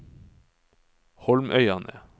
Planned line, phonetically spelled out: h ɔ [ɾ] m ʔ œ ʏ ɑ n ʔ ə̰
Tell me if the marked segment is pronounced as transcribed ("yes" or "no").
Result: no